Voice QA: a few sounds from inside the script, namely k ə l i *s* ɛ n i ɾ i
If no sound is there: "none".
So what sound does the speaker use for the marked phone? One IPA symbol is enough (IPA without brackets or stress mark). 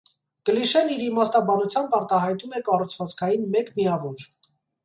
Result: ʃ